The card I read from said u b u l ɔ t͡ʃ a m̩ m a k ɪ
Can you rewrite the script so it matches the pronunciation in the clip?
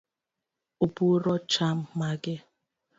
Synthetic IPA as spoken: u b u ɾ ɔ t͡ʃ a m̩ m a ɡ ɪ